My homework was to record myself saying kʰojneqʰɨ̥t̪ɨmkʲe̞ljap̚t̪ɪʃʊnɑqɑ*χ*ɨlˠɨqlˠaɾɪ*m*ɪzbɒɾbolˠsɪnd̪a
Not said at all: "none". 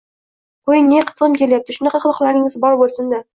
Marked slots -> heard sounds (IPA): χ, ŋ

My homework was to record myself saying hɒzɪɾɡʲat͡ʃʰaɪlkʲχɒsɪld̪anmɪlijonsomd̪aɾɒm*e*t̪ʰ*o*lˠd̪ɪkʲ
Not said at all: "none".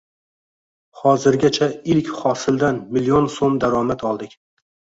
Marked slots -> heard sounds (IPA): a, ɒ

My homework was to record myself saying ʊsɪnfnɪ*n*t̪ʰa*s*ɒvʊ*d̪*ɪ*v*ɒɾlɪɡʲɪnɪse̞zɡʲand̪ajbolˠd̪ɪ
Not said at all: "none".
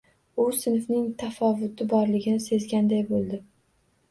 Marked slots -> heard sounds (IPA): ŋ, f, t̪, b

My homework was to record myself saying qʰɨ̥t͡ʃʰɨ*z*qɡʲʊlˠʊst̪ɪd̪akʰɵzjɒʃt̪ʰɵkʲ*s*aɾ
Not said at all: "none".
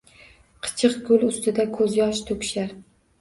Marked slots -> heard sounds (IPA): none, ʃ

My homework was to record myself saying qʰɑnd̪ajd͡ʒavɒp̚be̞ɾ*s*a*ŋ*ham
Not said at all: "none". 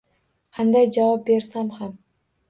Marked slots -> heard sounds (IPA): s, m

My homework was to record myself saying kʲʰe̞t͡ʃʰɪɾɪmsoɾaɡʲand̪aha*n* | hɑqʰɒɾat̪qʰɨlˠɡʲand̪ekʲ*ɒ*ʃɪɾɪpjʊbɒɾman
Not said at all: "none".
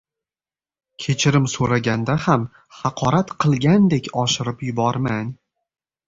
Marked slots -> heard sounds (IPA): m, ɒ

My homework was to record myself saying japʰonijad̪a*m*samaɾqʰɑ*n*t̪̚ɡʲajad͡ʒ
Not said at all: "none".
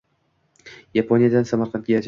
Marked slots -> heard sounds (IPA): n, n

